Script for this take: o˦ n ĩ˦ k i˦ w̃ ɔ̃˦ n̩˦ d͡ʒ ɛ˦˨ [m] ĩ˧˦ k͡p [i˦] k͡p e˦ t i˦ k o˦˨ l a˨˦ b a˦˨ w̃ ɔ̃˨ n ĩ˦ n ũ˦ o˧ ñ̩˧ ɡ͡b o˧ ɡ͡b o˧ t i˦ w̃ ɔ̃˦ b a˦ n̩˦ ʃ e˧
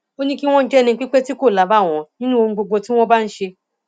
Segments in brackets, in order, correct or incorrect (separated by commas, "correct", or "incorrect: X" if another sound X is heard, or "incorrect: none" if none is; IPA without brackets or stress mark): incorrect: n, correct